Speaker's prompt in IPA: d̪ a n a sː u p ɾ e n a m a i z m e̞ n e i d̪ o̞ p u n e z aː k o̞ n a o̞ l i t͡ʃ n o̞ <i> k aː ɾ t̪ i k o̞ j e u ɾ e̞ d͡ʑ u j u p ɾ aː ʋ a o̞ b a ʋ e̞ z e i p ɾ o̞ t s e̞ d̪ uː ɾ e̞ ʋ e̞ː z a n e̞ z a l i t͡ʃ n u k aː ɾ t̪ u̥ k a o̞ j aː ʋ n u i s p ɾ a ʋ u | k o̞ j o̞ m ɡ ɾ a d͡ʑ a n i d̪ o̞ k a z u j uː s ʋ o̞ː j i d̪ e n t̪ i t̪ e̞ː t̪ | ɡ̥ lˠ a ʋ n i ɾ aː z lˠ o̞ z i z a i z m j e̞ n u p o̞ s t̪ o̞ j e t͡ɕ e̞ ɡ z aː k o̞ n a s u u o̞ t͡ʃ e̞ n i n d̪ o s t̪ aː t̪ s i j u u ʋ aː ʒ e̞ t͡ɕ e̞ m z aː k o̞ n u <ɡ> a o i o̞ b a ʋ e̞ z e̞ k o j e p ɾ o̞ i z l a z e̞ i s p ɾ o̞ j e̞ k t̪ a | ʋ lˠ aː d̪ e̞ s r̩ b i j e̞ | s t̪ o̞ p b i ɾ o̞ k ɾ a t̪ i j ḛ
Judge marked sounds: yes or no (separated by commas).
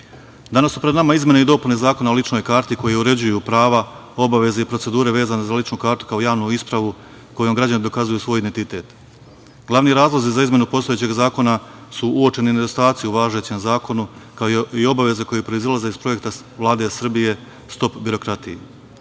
no, no